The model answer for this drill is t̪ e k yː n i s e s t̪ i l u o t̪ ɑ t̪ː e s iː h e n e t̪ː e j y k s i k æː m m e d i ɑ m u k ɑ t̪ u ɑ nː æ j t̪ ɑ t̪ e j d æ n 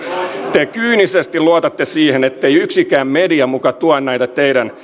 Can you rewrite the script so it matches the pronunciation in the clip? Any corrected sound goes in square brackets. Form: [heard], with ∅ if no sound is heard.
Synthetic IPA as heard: t̪ e k yː n i s e s t̪ i l u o t̪ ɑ t̪ː e s iː h e n e t̪ː e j y k s i k æː m m e d i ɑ m u k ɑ t̪ u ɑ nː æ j t̪ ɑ t̪ e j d æ n